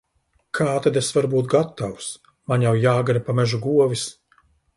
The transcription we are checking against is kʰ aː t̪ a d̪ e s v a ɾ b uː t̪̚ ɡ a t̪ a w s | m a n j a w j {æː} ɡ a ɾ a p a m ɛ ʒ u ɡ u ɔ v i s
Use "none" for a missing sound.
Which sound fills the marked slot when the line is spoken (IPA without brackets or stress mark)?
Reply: aː